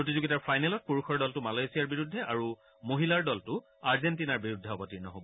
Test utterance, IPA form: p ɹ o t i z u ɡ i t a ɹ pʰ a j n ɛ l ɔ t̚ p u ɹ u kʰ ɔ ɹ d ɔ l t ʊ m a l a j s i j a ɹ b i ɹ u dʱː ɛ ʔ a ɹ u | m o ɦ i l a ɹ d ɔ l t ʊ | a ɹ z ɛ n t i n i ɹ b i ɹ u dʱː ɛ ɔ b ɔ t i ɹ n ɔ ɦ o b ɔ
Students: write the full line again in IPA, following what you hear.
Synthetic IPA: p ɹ o t i z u ɡ i t a ɹ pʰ a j n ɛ l ɔ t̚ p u ɹ u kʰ ɔ ɹ d ɔ l t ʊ m a l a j s i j a ɹ b i ɹ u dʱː ɛ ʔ a ɹ u | m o ɦ i l a ɹ d ɔ l t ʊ | a ɹ z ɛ n t i n a ɹ b i ɹ u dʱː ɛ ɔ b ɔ t i ɹ n ɔ ɦ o b ɔ